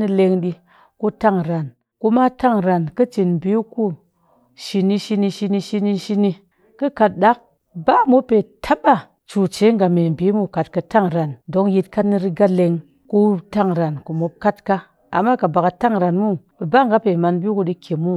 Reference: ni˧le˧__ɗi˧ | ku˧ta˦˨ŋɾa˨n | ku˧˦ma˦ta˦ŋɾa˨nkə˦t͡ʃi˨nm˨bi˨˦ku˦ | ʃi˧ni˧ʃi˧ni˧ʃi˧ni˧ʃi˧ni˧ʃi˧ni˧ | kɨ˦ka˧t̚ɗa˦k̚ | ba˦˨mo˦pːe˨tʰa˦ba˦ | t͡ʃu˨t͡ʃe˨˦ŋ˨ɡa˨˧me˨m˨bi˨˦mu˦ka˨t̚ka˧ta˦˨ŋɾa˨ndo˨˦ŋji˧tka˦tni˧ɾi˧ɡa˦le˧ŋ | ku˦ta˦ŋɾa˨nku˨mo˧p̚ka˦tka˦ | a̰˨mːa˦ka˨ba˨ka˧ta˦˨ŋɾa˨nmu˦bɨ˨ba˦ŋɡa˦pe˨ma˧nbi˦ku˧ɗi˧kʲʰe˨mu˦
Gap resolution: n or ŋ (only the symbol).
ŋ